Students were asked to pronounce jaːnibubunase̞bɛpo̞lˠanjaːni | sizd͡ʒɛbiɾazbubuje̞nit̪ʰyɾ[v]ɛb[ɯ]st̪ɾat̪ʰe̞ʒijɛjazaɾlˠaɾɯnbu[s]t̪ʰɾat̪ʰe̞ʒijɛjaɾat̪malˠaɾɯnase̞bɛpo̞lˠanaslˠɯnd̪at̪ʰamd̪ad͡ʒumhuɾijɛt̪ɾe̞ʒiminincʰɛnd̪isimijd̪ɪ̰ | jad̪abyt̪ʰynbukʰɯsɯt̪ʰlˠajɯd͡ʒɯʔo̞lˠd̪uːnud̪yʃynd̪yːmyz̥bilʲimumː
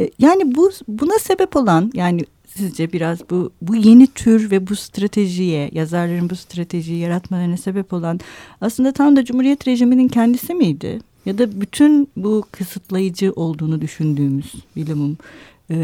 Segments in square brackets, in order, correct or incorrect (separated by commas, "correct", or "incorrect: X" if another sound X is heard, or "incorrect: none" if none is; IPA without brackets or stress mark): correct, incorrect: u, correct